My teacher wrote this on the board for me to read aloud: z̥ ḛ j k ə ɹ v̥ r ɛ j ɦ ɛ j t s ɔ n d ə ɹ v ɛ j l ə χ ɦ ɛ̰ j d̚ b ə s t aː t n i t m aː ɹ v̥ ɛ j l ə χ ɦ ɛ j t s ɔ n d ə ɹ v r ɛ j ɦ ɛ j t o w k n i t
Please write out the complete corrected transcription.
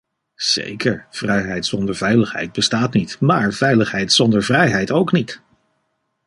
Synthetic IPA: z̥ ḛ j k ə ɹ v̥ r ɛ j ɦ ɛ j t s ɔ n d ə ɹ v ɛ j l ə χ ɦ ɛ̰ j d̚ b ə s t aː t n i t m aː ɹ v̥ ɛ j l ə χ ɦ ɛ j t s ɔ n d ə ɹ v r ɛ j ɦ ɛ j t o w k n i t